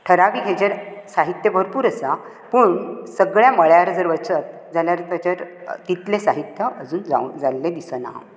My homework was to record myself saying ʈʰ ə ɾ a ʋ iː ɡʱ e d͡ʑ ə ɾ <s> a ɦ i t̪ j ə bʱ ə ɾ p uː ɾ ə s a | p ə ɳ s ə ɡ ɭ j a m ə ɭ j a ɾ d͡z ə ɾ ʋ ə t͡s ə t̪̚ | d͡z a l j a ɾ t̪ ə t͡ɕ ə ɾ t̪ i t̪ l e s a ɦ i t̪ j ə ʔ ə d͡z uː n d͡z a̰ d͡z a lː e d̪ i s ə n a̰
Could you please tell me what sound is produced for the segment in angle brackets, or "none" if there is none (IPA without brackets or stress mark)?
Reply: s